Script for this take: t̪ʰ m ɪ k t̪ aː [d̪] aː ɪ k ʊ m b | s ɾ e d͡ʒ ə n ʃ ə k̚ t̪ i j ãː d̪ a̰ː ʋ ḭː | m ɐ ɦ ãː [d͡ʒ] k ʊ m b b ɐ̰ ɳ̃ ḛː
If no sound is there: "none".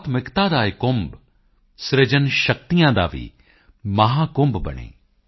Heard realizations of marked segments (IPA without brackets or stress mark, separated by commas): d̪, none